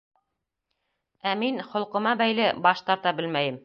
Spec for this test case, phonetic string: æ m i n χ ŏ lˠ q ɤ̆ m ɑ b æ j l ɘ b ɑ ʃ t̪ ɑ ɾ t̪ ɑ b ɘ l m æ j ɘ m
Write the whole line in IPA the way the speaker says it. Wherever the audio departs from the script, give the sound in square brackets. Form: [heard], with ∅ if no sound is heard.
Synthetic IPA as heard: æ m i n χ ŏ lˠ q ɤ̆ m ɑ b æ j l ɘ b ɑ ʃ t̪ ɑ ɾ t̪ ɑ b ɘ l m æ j ɘ m